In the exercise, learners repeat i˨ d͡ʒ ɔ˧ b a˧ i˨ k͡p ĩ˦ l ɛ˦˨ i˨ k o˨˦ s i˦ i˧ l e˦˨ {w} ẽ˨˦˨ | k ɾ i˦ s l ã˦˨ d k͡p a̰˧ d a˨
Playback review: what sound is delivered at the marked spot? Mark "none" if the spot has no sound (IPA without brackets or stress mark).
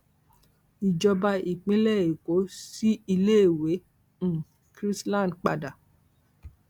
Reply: w